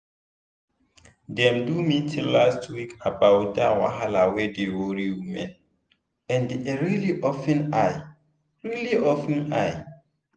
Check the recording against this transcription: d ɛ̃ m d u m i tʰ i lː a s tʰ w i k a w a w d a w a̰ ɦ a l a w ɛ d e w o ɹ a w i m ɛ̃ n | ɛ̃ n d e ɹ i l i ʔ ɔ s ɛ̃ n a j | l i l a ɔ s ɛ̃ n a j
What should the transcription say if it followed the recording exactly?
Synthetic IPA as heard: d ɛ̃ m d u m i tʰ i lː a s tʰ w i k a b a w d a w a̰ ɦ a l a w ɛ d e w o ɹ i w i m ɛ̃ n | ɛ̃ n d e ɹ i l i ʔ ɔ f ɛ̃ n a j | ɹ i l i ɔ f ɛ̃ n a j